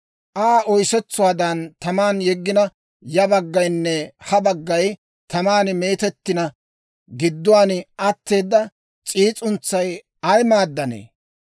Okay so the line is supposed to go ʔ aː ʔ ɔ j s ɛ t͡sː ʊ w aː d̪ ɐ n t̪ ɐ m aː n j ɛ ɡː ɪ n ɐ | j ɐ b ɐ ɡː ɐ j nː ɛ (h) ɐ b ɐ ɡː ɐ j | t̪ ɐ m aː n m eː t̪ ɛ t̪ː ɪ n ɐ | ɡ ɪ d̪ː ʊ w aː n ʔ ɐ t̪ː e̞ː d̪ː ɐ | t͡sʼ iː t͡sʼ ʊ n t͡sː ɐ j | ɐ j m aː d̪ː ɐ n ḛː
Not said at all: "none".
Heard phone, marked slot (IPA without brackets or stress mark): h